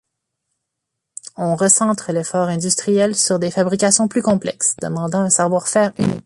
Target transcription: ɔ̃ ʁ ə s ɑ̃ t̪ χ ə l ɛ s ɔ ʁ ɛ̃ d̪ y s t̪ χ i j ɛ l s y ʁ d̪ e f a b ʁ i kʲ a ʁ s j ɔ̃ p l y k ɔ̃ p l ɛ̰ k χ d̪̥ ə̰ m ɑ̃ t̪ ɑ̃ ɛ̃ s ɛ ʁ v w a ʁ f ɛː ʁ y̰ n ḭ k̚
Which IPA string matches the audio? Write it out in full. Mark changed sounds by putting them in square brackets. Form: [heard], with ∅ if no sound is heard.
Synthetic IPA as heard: ɔ̃ ʁ ə s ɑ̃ t̪ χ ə l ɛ [f] ɔ ʁ ɛ̃ d̪ y s t̪ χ i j ɛ l s y ʁ d̪ e f a b ʁ i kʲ a [∅] s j ɔ̃ p l y k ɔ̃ p l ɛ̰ k [s] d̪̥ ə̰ m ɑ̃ [d̪] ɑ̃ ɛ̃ s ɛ ʁ v w a ʁ f ɛː ʁ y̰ n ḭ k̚